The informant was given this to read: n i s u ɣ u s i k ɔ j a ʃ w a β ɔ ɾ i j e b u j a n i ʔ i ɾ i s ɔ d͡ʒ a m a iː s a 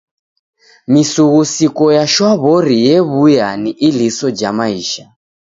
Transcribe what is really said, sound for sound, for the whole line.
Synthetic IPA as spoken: m i s u ɣ u s i k ɔ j a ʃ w a β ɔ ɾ i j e β u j a n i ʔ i l i s ɔ d͡ʒ a m a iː ʃ a